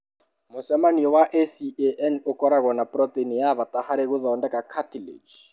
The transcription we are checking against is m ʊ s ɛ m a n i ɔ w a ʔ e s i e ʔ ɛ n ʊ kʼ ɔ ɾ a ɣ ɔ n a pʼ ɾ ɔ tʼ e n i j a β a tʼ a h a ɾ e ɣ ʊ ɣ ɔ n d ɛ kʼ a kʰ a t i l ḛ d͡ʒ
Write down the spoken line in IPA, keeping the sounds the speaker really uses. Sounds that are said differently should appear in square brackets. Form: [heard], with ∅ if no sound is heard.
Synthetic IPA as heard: m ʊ s ɛ m a n i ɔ w a ʔ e s i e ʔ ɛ n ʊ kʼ ɔ ɾ a ɣ ɔ n a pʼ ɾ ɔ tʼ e n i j a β a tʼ a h a ɾ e ɣ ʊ [ð] ɔ n d ɛ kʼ a kʰ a t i l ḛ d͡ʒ